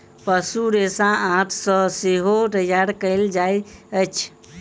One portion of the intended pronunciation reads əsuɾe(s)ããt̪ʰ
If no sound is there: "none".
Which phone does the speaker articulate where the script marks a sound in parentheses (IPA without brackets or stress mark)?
s